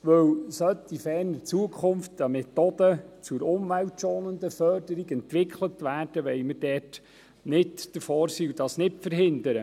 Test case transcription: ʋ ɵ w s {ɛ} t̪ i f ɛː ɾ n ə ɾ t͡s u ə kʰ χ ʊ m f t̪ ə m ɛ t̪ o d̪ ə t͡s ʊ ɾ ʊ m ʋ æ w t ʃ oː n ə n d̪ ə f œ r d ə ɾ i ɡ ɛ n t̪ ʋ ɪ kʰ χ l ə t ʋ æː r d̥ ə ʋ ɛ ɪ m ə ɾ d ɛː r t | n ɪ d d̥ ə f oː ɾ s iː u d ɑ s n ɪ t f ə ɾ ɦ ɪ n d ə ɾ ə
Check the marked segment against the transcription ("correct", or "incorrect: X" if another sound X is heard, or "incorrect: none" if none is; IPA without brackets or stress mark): incorrect: œ